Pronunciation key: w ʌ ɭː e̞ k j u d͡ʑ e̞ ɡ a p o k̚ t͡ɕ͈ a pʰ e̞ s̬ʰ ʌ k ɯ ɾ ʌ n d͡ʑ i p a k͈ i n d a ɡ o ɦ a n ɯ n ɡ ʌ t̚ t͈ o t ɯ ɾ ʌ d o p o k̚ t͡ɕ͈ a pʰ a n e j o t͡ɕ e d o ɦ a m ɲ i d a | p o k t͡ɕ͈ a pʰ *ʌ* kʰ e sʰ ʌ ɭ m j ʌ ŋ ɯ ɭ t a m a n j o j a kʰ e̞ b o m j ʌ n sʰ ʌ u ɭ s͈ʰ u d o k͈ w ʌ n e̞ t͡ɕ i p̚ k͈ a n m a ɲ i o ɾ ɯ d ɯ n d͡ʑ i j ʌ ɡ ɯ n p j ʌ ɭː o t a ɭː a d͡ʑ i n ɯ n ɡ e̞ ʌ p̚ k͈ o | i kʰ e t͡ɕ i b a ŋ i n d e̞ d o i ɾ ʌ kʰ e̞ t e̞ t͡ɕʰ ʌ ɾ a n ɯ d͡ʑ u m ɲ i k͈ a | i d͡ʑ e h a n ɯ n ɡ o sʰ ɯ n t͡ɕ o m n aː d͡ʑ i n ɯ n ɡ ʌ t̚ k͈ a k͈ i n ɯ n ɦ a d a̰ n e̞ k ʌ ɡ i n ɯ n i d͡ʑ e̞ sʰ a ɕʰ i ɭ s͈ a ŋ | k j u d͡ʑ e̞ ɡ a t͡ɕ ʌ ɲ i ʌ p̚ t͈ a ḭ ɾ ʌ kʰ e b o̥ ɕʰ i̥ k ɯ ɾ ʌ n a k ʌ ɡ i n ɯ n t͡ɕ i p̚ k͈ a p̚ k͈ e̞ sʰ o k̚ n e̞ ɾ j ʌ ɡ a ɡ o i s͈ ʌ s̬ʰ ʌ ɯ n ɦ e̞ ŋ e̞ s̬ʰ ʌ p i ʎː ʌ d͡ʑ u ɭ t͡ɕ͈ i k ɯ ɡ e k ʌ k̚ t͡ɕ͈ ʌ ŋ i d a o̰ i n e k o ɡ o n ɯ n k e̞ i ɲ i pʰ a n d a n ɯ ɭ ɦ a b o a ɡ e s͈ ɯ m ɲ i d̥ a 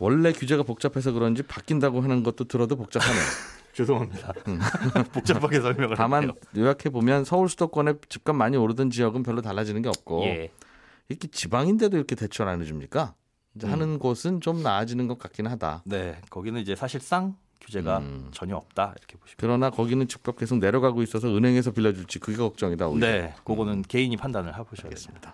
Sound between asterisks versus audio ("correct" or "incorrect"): incorrect